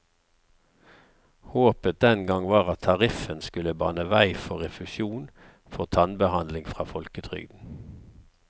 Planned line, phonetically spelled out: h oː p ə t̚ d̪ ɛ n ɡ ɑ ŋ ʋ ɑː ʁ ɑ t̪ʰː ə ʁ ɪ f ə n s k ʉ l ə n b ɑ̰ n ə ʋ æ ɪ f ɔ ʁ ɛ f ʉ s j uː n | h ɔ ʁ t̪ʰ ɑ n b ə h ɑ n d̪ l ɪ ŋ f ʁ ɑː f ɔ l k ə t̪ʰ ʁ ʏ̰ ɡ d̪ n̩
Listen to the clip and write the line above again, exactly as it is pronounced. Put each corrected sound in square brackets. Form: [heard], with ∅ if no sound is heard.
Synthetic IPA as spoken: h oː p ə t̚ d̪ ɛ n ɡ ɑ ŋ ʋ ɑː ʁ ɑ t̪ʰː [ɑ] ʁ ɪ f ə n s k ʉ l ə [∅] b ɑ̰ n ə ʋ æ ɪ f ɔ ʁ ɛ f ʉ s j uː n | [f] ɔ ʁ t̪ʰ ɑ n b ə h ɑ n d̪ l ɪ ŋ f ʁ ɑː f ɔ l k ə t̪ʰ ʁ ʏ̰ ɡ d̪ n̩

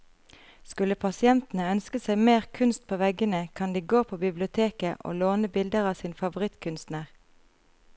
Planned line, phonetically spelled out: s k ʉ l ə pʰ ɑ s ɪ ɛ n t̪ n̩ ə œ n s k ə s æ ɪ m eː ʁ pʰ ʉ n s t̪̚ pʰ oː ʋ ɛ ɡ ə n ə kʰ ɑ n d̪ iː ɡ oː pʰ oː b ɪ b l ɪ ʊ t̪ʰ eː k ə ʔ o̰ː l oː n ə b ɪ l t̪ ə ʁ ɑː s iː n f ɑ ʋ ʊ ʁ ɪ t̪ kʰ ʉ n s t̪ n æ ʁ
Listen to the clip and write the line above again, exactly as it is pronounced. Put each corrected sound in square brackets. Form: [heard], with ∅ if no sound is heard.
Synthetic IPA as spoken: s k ʉ l ə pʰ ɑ s ɪ ɛ n t̪ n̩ ə œ n s k ə s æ ɪ m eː ʁ [kʰ] ʉ n s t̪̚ pʰ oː ʋ ɛ ɡ ə n ə kʰ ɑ n d̪ iː ɡ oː pʰ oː b ɪ b l ɪ ʊ t̪ʰ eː k ə ʔ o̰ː l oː n ə b ɪ l [d̪] ə ʁ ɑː s iː n f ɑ ʋ ʊ ʁ ɪ t̪ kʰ ʉ n s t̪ n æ ʁ

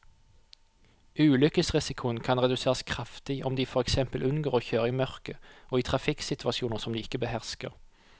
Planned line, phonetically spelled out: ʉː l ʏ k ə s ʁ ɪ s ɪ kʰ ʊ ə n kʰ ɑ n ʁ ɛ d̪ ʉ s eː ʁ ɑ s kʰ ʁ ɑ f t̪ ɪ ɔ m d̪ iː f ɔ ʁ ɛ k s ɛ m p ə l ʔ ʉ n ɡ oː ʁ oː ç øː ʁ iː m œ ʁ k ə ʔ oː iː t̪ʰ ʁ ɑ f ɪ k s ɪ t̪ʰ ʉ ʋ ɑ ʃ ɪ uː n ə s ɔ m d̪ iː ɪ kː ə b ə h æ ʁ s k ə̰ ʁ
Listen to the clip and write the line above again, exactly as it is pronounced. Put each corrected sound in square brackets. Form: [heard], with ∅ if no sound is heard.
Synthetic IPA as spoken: ʉː l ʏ k ə s ʁ ɪ s ɪ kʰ ʊ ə n kʰ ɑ n ʁ ɛ d̪ ʉ s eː ʁ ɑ s kʰ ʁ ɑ f t̪ ɪ ɔ m d̪ iː f ɔ ʁ ɛ k s ɛ m p ə l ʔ ʉ n ɡ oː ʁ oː ç øː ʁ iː m œ ʁ k ə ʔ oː iː t̪ʰ ʁ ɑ f ɪ k s ɪ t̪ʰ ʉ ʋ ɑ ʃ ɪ uː n ə s ɔ m d̪ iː ɪ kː ə b ə h æ ʁ s k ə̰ ʁ

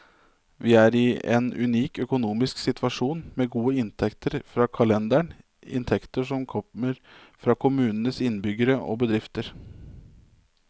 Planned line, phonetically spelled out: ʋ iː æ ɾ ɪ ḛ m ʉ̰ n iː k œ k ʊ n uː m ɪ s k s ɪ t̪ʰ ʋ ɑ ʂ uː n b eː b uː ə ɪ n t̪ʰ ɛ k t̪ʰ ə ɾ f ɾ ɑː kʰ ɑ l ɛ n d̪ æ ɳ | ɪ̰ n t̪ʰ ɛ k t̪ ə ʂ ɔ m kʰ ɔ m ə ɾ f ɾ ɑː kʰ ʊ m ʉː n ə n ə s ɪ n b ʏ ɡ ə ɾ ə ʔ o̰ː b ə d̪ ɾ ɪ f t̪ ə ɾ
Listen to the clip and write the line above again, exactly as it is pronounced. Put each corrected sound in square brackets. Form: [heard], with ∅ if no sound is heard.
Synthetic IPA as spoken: ʋ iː æ ɾ ɪ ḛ [n] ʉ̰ n iː k œ k ʊ n uː m ɪ s k s ɪ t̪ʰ ʋ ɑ ʂ uː n [m] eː [ɡ] uː ə ɪ n t̪ʰ ɛ k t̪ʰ ə ɾ f ɾ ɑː kʰ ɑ l ɛ n d̪ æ ɳ | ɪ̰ n t̪ʰ ɛ k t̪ ə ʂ ɔ m kʰ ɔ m ə ɾ f ɾ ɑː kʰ ʊ m ʉː n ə n ə s ɪ n b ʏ ɡ ə ɾ ə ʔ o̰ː b ə d̪ ɾ ɪ f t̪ ə ɾ

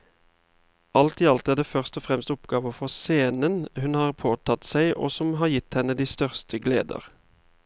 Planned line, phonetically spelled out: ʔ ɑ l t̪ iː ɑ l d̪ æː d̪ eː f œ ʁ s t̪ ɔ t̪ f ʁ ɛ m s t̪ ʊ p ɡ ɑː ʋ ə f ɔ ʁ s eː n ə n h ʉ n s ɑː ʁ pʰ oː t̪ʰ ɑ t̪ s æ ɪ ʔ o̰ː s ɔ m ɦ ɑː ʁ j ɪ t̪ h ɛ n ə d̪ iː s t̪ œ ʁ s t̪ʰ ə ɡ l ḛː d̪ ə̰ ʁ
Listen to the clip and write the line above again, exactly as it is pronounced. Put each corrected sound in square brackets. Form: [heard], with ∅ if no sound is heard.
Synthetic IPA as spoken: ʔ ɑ l t̪ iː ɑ l [t̪] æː d̪ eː f œ ʁ s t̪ ɔ [∅] f ʁ ɛ m s t̪ ʊ p ɡ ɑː ʋ ə f ɔ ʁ s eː n ə n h ʉ n [h] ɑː ʁ pʰ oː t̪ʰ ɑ t̪ s æ ɪ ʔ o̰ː s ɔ m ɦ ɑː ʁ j ɪ t̪ h ɛ n ə d̪ iː s t̪ œ ʁ s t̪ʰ ə ɡ l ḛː d̪ ə̰ ʁ

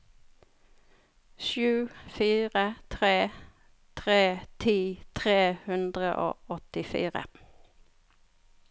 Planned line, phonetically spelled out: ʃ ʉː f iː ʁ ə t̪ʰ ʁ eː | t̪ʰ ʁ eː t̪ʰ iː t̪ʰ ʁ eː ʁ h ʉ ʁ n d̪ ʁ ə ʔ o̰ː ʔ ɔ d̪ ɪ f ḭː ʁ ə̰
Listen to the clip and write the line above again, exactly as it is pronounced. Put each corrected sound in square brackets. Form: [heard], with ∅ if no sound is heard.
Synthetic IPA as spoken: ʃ ʉː f iː ʁ ə t̪ʰ ʁ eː | t̪ʰ ʁ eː t̪ʰ iː t̪ʰ ʁ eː [∅] h ʉ [∅] n d̪ ʁ ə ʔ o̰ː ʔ ɔ [t̪] ɪ f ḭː ʁ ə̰

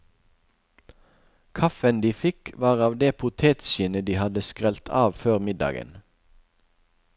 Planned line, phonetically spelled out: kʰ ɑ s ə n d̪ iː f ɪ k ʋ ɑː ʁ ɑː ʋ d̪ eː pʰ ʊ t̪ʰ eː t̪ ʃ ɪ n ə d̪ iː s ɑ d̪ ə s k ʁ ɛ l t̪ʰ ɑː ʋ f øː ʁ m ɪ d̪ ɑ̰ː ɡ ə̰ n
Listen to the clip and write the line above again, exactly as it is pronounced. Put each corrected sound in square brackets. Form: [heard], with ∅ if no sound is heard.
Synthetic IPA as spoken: kʰ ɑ [f] ə n d̪ iː f ɪ k ʋ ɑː ʁ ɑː ʋ d̪ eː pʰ ʊ t̪ʰ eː t̪ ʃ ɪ n ə d̪ iː [h] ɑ d̪ ə s k ʁ ɛ l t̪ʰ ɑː ʋ f øː ʁ m ɪ d̪ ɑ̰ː ɡ ə̰ n

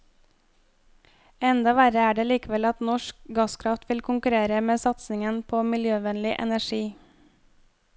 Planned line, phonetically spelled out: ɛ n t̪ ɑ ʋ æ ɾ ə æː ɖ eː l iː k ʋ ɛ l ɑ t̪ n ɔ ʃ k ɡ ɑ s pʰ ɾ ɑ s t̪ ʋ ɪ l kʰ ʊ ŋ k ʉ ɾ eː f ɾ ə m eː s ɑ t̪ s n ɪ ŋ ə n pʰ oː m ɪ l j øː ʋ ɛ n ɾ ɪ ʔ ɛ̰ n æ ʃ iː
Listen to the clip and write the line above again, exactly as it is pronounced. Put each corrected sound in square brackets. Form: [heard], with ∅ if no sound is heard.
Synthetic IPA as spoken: ɛ n [d̪] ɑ ʋ æ ɾ ə æː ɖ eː l iː k ʋ ɛ l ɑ t̪ n ɔ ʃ k ɡ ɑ s [kʰ] ɾ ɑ [f] t̪ ʋ ɪ l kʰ ʊ ŋ k ʉ ɾ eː [∅] ɾ ə m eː s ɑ t̪ s n ɪ ŋ ə n pʰ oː m ɪ l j øː ʋ ɛ n [l] ɪ ʔ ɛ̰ n æ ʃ iː

